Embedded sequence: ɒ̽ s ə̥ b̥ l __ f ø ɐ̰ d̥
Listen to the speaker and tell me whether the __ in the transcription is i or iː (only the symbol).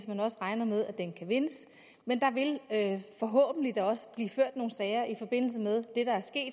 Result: iː